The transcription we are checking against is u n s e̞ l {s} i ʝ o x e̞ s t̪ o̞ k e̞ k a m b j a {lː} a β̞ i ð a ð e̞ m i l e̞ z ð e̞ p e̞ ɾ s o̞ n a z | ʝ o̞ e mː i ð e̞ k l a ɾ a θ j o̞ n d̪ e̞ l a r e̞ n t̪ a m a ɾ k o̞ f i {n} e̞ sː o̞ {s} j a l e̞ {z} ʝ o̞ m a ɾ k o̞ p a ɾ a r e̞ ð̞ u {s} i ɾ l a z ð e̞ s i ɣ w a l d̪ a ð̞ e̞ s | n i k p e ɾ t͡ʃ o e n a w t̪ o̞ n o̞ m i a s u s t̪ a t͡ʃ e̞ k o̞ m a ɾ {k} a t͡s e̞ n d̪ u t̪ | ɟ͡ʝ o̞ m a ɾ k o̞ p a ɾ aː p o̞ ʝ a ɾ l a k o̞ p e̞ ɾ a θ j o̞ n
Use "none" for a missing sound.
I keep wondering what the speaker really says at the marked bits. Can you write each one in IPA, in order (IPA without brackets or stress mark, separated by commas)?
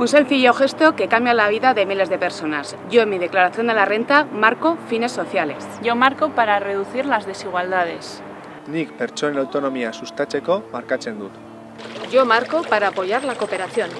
f, l, n, θ, s, θ, k